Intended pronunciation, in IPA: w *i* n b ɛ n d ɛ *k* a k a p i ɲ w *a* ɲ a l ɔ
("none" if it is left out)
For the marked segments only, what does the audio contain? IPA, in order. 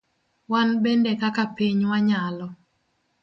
a, k, a

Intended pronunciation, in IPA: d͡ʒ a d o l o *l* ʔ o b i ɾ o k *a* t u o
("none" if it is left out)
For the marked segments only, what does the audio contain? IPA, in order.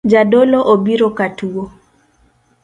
none, a

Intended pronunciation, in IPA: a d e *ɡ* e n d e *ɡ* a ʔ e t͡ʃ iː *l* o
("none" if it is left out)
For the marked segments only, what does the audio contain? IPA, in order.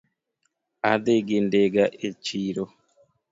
ɡ, ɡ, ɾ

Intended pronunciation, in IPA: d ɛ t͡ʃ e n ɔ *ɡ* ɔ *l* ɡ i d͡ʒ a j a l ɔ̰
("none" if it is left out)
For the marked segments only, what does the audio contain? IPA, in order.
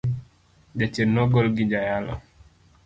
ɡ, l

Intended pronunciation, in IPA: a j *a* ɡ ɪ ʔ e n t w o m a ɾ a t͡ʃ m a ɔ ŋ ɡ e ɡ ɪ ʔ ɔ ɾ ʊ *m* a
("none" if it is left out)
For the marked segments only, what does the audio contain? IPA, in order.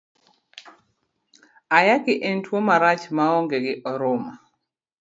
a, m

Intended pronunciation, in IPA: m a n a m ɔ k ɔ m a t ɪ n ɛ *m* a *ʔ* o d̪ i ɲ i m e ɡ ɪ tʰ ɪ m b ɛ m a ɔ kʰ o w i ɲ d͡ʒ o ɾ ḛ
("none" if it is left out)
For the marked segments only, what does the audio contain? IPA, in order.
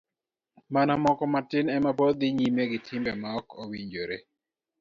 m, p

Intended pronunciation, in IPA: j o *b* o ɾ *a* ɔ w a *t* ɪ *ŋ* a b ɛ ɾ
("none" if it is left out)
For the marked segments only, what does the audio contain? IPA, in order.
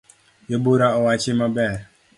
b, a, t͡ʃ, m

